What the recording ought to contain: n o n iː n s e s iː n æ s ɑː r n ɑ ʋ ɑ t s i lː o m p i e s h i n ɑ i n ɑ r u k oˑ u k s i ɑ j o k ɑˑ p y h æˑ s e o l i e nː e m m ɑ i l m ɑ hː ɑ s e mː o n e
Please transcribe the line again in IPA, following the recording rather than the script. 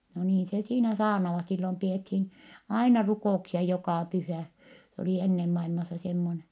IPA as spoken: n o n iː n s e s iː n æ s ɑː r n ɑ ʋ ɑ t s i lː o m p i e t h i n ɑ i n ɑ r u k oˑ u k s i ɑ j o k ɑˑ p y h æˑ s e o l i e nː e m m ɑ i l m ɑ sː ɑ s e mː o n e